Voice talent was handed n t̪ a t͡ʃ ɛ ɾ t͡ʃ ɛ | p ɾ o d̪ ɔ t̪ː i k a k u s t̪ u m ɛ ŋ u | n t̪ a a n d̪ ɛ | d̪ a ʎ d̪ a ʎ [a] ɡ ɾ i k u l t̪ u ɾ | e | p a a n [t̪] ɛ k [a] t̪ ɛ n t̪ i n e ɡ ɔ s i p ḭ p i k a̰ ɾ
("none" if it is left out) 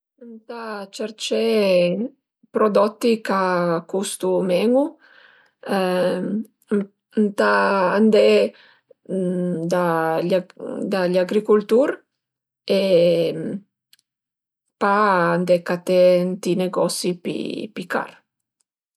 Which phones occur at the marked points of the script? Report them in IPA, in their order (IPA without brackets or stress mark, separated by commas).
a, d̪, a